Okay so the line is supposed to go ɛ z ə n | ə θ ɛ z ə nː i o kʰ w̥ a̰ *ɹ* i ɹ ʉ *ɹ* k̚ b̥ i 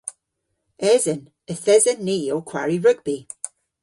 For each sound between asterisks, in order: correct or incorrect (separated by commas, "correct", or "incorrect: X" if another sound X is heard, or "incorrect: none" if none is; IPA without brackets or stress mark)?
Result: correct, incorrect: none